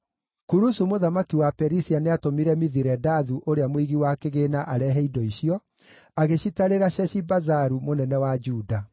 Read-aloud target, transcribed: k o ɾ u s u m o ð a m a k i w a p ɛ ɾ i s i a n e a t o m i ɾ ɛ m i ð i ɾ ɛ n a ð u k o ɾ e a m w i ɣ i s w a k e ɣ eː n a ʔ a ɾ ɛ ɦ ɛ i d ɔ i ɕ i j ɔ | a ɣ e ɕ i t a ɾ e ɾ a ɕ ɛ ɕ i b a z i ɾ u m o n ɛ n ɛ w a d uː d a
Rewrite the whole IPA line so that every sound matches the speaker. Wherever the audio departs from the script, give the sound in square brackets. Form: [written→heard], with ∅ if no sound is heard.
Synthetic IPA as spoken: k [o→u] ɾ u s u m o ð a m a k i w a p ɛ ɾ i s i a n e a t o m i ɾ ɛ m i ð i ɾ ɛ [n→d] a ð u [k→ʔ] o ɾ e a m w i ɣ i [s→∅] w a k e ɣ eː n a ʔ a ɾ ɛ ɦ ɛ i d ɔ i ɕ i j ɔ | a ɣ e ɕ i t a ɾ e ɾ a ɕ ɛ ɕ i b a z [i→a] ɾ u m o n ɛ n ɛ w a [d→d͡ʒ] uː d a